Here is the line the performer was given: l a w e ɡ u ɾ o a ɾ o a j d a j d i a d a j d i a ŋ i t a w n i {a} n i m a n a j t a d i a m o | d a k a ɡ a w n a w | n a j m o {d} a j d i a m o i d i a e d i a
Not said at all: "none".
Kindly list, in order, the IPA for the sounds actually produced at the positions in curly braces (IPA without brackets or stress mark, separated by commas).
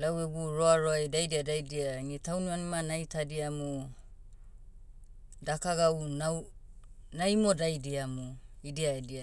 a, d